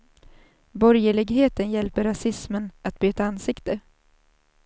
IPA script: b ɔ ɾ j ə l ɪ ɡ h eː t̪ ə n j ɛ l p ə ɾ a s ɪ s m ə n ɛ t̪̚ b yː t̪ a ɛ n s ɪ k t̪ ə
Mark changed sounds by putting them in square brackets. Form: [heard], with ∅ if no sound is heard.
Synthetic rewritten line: b ɔ ɾ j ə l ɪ ɡ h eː t̪ ə n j ɛ l p ə ɾ a s ɪ s m ə n [a] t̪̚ b yː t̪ a [a] n s ɪ k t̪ ə